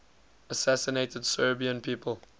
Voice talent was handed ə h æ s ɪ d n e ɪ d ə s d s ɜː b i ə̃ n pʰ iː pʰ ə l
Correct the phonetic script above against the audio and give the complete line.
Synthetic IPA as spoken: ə s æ s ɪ n e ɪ t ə d s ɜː b i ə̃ n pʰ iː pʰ ə l